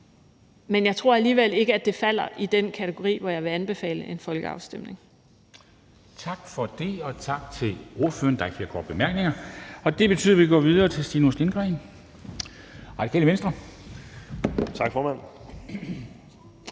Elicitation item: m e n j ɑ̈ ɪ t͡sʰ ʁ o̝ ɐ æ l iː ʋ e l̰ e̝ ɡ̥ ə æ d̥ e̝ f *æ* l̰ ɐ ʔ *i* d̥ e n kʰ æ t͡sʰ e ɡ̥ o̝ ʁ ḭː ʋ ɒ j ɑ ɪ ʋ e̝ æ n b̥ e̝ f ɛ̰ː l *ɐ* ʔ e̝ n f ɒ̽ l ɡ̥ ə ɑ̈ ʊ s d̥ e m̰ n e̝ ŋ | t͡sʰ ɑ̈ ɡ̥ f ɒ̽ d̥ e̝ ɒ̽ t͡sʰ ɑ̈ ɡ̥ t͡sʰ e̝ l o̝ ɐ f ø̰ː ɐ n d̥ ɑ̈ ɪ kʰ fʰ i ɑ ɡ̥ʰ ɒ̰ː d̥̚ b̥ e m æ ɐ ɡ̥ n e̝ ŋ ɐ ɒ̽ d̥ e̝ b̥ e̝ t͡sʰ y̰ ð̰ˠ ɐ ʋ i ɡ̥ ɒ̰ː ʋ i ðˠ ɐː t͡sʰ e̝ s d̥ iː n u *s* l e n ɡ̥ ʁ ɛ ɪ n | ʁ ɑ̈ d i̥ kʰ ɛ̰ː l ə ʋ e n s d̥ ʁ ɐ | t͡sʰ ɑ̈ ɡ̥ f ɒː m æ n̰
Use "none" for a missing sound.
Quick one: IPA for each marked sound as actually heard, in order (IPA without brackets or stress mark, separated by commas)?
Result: æ, i, ə, s